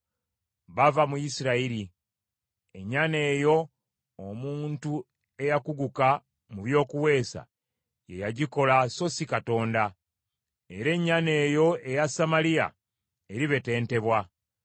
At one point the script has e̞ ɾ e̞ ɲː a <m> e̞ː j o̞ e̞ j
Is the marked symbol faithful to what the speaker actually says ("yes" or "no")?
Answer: no